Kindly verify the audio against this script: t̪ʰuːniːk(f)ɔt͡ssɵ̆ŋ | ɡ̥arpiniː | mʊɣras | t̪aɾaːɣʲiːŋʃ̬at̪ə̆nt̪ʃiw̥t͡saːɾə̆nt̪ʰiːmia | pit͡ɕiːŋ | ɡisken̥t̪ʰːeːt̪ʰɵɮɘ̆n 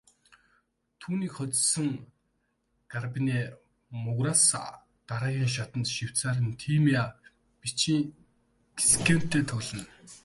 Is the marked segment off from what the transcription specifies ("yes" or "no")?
yes